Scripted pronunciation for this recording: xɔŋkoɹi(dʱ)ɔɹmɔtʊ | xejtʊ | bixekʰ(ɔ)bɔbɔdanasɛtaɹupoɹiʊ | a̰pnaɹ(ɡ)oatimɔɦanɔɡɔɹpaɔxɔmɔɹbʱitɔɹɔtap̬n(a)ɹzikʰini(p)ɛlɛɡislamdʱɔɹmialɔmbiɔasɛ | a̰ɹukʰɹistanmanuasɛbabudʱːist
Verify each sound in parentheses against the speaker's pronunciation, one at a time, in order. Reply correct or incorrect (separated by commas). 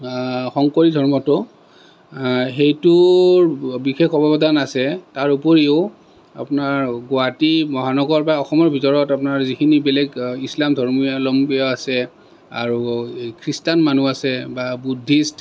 correct, correct, correct, correct, incorrect